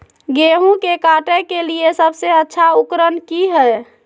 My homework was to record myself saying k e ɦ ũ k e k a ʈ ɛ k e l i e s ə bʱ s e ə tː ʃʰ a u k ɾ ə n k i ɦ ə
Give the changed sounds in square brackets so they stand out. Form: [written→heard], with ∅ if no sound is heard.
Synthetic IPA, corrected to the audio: [k→ɡ] e ɦ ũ k e k a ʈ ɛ k e l i e s ə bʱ s e ə tː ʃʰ a u k ɾ ə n k i ɦ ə